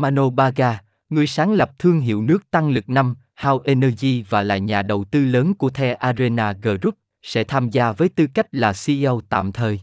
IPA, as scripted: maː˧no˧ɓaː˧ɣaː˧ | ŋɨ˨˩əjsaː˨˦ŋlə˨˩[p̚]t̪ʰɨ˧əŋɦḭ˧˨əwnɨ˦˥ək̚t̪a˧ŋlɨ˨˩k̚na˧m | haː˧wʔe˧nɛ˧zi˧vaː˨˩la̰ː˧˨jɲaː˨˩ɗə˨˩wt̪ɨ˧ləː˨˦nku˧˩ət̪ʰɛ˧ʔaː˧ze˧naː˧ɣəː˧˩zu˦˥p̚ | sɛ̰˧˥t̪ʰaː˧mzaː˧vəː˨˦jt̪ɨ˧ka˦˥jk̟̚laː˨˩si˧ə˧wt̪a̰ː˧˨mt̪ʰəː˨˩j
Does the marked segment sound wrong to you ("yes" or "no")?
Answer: no